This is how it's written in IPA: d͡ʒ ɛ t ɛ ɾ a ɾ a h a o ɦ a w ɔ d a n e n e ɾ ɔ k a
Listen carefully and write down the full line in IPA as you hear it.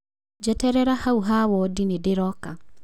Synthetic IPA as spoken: d͡ʒ ɛ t ɛ ɾ ɛ ɾ a h a u ɦ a w ɔ d i n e d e ɾ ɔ k a